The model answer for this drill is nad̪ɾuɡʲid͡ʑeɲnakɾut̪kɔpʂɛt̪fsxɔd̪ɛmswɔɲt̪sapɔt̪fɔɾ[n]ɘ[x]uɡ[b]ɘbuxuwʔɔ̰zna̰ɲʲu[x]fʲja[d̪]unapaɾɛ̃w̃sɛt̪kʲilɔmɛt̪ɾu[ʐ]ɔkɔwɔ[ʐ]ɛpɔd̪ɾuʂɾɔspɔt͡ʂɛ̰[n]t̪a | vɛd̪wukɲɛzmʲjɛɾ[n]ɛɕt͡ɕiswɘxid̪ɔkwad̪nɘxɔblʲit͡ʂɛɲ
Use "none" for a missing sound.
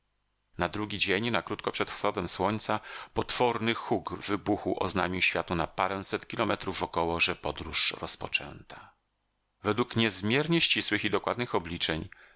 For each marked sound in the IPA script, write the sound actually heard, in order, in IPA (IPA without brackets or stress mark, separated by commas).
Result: n, x, v, ɕ, t̪, v, ʐ, n, ɲ